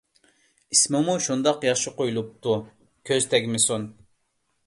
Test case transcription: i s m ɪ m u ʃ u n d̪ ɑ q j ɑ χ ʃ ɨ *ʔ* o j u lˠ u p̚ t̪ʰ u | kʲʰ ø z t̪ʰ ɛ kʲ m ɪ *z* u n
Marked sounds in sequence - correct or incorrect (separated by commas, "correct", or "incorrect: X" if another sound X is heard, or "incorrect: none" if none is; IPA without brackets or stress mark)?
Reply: incorrect: q, incorrect: s